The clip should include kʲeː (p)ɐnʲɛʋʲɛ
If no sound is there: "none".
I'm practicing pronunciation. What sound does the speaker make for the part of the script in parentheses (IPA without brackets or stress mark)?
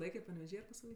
p